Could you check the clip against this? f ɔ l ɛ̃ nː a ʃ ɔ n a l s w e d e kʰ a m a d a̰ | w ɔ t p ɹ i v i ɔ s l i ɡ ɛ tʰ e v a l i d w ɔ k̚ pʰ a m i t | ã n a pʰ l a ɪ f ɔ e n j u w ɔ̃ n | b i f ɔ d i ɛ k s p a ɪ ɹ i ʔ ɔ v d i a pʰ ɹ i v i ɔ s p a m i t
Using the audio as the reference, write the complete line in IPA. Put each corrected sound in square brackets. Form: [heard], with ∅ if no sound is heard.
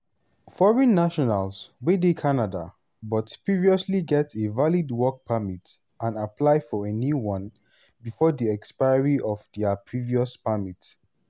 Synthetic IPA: f ɔ [ɹ] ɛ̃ nː a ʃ ɔ n a l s w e d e kʰ a [n] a d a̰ | [b] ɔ t p ɹ i v i ɔ s l i ɡ ɛ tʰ e v a l i d w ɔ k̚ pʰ a m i t | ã n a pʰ l a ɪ f ɔ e n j u w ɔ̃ n | b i f ɔ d i ɛ k s p a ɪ ɹ i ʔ ɔ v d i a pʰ ɹ i v i ɔ s p a m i t